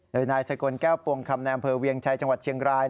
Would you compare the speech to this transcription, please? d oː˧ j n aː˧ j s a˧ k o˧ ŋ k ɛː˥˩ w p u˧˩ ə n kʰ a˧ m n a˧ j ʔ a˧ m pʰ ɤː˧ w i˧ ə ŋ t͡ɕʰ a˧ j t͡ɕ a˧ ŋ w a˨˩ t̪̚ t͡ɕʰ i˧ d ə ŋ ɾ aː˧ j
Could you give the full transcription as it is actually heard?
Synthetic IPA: d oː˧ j n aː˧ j s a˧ k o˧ n k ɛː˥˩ w p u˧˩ ə ŋ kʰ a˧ m n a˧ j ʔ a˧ m pʰ ɤː˧ w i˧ ə ŋ t͡ɕʰ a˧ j t͡ɕ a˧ ŋ w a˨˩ t̪̚ t͡ɕʰ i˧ ə ŋ ɾ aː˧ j

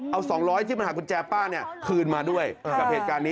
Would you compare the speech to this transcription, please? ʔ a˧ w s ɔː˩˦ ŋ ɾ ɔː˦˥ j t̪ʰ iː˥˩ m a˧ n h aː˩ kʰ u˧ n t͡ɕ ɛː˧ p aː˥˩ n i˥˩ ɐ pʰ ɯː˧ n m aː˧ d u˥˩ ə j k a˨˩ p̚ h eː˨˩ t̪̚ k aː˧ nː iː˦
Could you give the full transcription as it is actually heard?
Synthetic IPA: ʔ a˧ w s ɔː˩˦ ŋ ɾ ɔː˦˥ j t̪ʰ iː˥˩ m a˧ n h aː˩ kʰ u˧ n t͡ɕ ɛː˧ p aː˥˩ n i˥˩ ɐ kʰ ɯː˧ n m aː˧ d u˥˩ ə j k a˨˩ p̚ h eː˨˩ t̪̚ k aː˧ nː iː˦

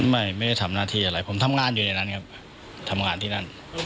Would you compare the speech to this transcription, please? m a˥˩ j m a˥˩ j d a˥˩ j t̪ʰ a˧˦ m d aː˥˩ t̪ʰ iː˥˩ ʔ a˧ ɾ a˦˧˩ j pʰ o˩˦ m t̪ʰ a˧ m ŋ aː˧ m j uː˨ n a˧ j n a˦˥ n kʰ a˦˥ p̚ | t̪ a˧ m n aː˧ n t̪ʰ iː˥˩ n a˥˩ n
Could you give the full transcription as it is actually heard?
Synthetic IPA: m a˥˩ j m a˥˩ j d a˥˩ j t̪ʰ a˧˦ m n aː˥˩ t̪ʰ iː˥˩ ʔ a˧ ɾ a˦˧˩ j pʰ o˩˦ m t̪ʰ a˧ m ŋ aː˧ n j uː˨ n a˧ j n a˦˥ n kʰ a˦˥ p̚ | t̪ʰ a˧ m ŋ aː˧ n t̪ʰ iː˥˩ n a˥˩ n

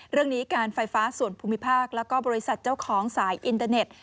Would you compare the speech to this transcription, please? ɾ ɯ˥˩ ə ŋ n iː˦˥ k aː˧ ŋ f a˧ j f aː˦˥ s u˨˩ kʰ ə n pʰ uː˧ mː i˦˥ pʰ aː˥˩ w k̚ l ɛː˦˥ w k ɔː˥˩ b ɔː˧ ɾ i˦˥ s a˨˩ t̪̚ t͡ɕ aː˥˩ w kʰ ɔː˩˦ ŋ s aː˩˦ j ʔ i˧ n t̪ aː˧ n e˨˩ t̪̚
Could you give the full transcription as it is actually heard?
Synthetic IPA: ɾ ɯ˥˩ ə ŋ n iː˦˥ k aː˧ n f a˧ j f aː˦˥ s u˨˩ ə n pʰ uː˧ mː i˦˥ pʰ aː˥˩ k̚ l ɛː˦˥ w k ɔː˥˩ b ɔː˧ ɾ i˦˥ s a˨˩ t̪̚ t͡ɕ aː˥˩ w kʰ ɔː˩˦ ŋ s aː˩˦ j ʔ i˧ n t̪ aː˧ n e˨˩ t̪̚

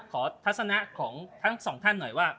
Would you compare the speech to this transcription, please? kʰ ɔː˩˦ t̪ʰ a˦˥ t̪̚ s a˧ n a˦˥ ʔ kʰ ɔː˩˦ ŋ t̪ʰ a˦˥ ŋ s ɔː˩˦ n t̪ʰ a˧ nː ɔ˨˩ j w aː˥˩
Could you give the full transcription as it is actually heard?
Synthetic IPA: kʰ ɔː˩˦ t̪ʰ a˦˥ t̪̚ s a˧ n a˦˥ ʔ kʰ ɔː˩˦ ŋ t̪ʰ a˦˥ ŋ s ɔː˩˦ ŋ t̪ʰ a˥˩ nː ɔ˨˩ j w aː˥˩

